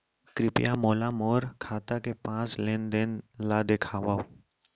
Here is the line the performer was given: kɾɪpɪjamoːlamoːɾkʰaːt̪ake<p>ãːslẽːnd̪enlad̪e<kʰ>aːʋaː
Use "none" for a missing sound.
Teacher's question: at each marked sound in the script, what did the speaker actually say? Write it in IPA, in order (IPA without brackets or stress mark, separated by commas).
p, kʰ